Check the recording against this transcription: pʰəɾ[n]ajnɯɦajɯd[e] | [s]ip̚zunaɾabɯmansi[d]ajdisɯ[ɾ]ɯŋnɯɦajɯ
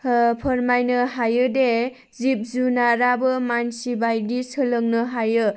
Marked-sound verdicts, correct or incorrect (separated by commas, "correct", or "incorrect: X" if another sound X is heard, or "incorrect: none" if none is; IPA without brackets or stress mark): incorrect: m, correct, incorrect: z, incorrect: b, incorrect: l